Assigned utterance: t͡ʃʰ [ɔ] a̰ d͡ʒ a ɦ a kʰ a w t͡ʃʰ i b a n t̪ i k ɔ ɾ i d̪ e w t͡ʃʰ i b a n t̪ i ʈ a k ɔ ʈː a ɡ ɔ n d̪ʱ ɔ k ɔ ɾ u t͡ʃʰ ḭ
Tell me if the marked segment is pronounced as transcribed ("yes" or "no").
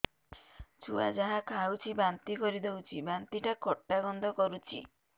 no